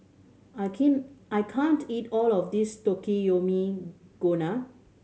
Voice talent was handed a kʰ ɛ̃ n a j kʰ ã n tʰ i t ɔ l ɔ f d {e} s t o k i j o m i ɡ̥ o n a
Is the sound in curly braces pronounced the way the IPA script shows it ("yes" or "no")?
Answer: no